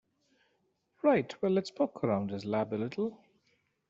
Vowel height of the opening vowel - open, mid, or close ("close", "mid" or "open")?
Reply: open